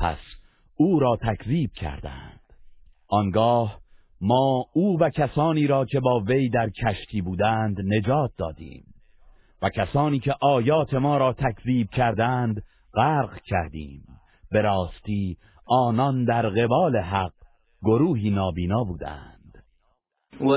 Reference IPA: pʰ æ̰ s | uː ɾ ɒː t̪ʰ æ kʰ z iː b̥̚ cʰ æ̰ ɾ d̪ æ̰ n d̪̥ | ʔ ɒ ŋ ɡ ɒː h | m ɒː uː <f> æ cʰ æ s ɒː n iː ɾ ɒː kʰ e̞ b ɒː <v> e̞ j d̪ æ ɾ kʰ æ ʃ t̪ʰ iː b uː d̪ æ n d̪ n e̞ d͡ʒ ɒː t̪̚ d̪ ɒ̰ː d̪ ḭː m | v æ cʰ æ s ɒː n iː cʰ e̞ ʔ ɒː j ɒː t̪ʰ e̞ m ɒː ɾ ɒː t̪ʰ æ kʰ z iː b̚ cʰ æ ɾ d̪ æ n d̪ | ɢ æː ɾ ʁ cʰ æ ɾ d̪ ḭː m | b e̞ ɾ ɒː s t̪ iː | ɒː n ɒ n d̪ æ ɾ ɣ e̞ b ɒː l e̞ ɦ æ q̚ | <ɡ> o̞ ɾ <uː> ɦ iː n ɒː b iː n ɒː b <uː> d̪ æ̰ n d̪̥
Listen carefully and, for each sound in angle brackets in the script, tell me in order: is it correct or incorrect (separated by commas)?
incorrect, correct, correct, correct, correct